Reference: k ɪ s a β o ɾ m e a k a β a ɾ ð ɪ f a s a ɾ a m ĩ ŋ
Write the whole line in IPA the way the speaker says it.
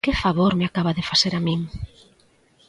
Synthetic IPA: k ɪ f a β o ɾ m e a k a β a ð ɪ f a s e ɾ a m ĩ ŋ